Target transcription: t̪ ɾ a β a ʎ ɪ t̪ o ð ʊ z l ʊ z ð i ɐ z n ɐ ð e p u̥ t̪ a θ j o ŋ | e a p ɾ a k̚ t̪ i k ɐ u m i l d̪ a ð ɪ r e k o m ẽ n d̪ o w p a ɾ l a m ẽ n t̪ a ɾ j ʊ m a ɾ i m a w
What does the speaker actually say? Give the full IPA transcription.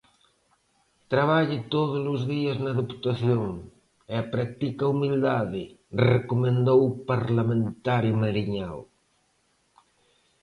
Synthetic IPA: t̪ ɾ a β a ʎ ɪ t̪ o ð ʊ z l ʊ z ð i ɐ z n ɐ ð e p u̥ t̪ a θ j o ŋ | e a p ɾ a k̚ t̪ i k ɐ u m i l d̪ a ð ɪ r e k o m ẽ n d̪ o w p a ɾ l a m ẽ n t̪ a ɾ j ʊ m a ɾ i ɲ a w